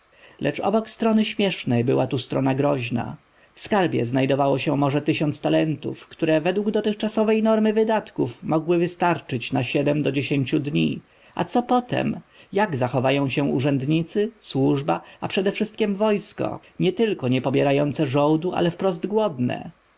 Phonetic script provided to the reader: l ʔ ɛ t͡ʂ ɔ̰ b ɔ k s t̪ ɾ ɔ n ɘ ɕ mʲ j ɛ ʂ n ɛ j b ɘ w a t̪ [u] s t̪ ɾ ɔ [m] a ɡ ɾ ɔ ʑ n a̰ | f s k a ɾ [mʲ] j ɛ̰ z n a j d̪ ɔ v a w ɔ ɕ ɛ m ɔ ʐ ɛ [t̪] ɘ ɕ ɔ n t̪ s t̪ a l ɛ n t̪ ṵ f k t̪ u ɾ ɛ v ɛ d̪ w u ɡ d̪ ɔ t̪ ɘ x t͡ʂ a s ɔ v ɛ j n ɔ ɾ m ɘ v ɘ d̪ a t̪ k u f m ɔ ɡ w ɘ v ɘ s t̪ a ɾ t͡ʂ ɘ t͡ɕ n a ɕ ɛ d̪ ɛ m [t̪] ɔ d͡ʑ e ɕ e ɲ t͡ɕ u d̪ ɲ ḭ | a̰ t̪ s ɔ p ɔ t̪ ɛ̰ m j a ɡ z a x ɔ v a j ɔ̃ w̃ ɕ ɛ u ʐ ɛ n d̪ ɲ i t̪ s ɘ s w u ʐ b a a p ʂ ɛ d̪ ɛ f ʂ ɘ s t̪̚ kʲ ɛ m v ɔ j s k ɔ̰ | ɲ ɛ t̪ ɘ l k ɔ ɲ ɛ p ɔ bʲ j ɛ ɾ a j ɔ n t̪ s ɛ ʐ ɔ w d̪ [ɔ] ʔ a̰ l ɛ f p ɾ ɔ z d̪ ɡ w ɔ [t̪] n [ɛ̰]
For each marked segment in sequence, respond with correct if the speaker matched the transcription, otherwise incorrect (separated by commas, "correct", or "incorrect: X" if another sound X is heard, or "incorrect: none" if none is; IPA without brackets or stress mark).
correct, incorrect: n, incorrect: bʲ, correct, incorrect: d̪, incorrect: u, incorrect: d̪, correct